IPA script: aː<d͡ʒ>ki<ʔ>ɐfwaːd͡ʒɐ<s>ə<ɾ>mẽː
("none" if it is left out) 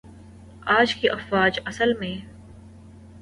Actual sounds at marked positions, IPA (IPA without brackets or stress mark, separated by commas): d͡ʒ, ʔ, s, l